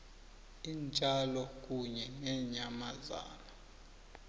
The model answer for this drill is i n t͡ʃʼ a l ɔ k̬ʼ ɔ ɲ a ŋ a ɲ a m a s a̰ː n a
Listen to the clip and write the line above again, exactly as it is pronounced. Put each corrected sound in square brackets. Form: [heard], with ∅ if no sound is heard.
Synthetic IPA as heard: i n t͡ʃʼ a l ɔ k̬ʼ [u] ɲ [ɛ] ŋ [ɛ] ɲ a m a [z] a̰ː n a